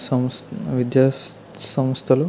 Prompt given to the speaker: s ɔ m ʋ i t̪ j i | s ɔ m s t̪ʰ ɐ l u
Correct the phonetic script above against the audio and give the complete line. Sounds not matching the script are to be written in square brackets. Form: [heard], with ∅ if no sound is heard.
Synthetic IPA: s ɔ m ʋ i [d̪] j [a] | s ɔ m s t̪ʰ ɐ l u